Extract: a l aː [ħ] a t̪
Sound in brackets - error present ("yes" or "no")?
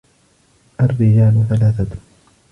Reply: yes